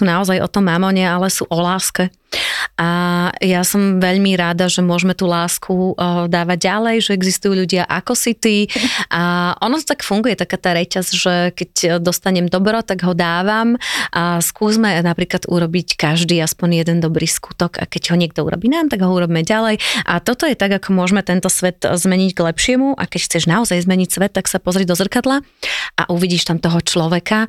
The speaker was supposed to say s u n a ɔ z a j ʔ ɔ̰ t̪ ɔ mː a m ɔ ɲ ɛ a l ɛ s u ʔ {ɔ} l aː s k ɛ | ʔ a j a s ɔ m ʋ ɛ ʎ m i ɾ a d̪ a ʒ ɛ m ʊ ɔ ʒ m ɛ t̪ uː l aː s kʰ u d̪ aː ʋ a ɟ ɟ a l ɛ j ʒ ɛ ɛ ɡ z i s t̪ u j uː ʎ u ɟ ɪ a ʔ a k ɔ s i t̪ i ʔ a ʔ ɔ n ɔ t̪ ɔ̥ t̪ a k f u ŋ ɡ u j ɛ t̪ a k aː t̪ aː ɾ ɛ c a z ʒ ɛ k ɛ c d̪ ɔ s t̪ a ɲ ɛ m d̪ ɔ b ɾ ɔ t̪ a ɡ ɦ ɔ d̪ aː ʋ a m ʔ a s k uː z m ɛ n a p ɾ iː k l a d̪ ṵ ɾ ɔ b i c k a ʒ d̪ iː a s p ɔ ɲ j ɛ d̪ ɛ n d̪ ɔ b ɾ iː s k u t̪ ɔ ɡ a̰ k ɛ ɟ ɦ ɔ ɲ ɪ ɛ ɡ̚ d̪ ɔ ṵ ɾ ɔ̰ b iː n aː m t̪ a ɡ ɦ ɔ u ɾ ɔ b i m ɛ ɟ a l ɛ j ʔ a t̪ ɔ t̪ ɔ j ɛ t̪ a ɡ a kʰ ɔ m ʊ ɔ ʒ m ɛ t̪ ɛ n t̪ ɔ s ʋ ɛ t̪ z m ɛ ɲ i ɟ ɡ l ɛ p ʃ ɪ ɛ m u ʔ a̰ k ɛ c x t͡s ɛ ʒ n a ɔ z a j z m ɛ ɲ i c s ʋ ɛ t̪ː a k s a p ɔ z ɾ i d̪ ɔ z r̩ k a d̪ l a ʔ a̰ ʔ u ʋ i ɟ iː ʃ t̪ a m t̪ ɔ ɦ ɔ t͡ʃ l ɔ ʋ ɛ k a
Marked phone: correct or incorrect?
correct